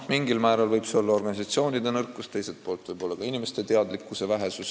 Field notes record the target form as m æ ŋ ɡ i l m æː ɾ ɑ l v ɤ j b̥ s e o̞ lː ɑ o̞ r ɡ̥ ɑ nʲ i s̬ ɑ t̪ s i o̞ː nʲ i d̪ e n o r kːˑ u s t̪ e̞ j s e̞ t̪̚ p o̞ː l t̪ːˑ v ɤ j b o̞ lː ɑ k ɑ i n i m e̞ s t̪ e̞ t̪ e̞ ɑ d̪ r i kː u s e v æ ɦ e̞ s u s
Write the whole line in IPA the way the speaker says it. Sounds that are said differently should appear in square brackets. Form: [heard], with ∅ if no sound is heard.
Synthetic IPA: m [i] ŋ ɡ i l m æː ɾ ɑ l v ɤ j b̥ s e o̞ lː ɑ o̞ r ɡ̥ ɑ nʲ i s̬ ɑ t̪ s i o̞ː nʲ i d̪ e n [ɤ] r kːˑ u s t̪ e̞ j s e̞ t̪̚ p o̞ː l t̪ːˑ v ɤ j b o̞ lː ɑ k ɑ i n i m e̞ s t̪ e̞ t̪ e̞ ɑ d̪ [l] i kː u s e v æ ɦ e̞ s u s